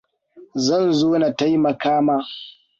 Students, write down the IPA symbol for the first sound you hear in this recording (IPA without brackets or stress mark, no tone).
z